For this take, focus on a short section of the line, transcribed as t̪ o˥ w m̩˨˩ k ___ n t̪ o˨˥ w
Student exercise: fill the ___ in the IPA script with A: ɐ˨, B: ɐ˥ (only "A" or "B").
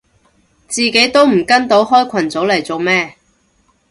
B